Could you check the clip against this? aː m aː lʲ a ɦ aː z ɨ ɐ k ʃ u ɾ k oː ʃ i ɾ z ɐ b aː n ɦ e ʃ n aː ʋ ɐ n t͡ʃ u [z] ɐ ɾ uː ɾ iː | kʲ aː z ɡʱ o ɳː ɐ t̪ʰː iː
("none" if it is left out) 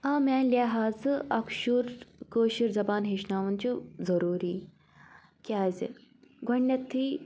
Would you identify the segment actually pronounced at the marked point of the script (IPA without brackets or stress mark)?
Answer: z